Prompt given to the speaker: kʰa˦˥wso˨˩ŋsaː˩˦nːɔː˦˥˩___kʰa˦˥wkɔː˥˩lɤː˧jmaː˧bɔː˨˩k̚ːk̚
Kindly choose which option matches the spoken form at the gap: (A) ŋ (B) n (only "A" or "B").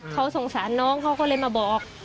A